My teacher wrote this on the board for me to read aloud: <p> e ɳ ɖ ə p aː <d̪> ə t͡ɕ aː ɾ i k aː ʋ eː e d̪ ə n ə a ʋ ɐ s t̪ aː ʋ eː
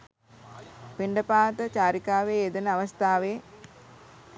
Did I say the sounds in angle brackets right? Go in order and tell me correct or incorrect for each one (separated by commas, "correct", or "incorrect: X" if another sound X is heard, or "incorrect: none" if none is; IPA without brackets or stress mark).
correct, incorrect: t̪